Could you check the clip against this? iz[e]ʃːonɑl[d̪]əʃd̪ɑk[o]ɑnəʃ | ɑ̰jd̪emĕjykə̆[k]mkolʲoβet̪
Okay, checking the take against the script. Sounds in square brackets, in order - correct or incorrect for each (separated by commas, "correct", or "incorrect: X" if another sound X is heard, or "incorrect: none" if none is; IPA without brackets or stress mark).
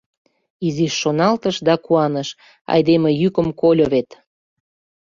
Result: incorrect: i, incorrect: t̪, incorrect: u, incorrect: none